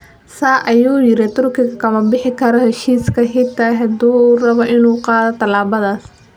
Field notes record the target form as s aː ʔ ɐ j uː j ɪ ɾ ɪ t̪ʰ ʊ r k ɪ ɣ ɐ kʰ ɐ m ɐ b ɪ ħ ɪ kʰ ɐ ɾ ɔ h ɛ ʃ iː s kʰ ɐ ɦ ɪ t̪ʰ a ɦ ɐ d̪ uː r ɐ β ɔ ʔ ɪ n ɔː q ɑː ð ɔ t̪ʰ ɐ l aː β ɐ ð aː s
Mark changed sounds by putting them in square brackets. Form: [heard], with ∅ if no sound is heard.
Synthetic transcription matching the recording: s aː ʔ ɐ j uː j ɪ ɾ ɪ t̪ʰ ʊ r k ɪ ɣ ɐ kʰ ɐ m ɐ b ɪ ħ ɪ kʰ ɐ ɾ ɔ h ɛ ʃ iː s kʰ ɐ ɦ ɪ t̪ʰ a ɦ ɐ d̪ uː r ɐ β ɔ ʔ ɪ n [uː] q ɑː ð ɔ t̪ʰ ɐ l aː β ɐ ð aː s